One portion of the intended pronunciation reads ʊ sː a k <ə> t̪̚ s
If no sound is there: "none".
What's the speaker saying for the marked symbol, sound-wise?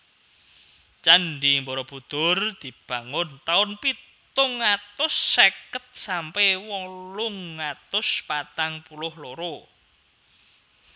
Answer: ə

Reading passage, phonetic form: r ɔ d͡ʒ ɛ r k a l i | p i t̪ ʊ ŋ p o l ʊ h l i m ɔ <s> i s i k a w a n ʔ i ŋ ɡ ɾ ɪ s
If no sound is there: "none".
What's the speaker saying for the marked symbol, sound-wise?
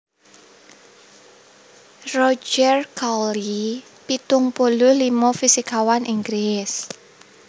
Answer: f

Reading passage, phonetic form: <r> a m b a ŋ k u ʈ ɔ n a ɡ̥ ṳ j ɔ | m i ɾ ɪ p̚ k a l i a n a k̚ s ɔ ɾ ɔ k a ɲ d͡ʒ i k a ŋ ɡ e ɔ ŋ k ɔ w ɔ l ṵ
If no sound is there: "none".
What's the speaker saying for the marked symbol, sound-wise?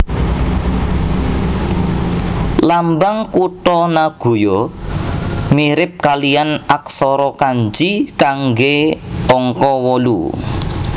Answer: l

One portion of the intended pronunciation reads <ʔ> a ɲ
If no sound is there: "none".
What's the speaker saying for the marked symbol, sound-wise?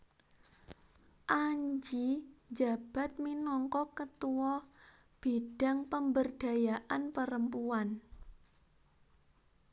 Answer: ʔ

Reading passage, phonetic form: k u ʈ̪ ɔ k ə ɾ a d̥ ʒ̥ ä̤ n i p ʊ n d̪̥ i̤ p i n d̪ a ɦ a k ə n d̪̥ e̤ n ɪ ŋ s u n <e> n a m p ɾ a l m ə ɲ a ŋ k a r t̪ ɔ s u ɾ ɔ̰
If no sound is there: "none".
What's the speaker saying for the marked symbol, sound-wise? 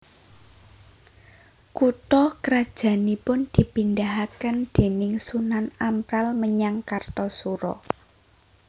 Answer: a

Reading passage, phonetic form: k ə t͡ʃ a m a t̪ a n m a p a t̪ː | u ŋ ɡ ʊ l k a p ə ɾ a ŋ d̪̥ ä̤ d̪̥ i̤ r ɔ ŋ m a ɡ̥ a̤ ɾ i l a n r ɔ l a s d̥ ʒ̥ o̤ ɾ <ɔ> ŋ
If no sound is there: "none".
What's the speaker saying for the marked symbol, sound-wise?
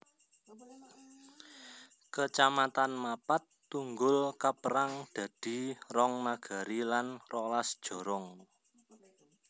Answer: ɔ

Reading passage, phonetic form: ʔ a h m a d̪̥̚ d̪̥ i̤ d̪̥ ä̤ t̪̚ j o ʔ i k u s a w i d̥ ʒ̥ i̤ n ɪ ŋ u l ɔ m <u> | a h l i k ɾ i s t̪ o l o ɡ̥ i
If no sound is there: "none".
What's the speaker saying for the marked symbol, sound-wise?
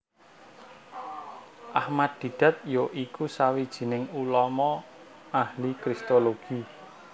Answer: ɔ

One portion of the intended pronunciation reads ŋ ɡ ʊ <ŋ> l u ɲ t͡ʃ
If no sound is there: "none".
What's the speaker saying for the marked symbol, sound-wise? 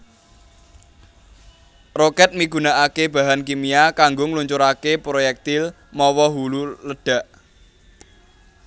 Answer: ŋ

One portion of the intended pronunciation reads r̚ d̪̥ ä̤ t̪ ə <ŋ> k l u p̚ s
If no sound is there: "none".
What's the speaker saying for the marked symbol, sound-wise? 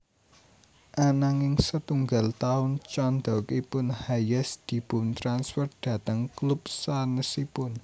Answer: ŋ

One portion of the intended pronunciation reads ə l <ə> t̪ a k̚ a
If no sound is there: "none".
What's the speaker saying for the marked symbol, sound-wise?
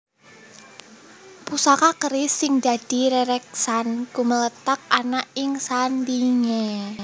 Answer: ə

